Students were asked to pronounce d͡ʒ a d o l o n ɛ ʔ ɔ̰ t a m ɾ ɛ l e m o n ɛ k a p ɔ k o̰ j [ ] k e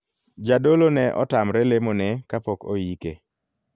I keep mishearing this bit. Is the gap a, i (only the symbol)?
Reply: i